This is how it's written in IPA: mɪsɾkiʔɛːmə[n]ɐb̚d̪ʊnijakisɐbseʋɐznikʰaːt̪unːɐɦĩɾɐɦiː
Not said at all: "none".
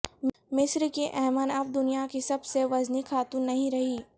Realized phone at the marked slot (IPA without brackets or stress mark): n